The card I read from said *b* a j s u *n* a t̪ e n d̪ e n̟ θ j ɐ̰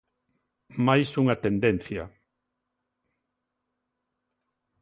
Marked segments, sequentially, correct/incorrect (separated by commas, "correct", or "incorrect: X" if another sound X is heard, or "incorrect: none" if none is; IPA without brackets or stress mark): incorrect: m, incorrect: ŋ